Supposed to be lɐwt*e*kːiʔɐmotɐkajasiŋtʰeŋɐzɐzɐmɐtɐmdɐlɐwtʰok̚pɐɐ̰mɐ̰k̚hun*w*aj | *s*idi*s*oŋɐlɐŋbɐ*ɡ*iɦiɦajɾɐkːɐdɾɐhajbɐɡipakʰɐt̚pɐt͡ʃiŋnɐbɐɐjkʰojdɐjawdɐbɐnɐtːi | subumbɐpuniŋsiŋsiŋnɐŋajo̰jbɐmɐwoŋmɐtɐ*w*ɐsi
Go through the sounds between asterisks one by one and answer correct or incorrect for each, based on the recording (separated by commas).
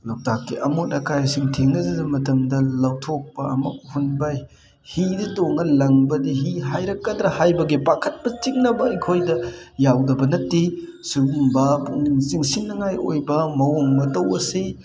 incorrect, incorrect, incorrect, incorrect, incorrect, correct